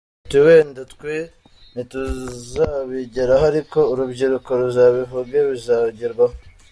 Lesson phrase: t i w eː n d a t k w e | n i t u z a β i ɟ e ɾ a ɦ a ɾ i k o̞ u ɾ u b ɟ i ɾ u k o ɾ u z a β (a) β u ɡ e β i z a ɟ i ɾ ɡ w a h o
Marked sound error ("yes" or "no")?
yes